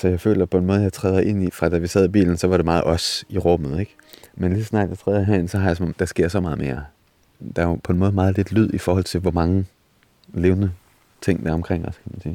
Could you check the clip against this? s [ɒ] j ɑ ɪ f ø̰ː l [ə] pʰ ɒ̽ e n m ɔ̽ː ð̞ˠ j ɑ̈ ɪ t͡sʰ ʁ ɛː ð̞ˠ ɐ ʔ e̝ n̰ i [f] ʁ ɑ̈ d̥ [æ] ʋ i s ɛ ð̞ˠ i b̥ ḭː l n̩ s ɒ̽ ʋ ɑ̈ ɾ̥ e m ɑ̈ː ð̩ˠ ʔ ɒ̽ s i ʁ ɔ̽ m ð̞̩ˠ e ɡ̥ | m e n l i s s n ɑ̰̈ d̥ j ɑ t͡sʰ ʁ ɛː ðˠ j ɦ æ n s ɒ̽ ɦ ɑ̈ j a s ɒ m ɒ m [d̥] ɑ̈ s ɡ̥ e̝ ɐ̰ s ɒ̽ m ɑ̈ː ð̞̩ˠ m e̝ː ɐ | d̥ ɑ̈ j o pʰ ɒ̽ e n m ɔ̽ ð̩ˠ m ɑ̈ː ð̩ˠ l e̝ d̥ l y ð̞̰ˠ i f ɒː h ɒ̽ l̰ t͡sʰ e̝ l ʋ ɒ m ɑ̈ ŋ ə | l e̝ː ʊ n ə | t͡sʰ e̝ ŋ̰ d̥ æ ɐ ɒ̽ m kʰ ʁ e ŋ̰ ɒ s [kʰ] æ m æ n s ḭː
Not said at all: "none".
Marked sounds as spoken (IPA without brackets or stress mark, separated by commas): ɒ, ɐ, f, æ, d̥, kʰ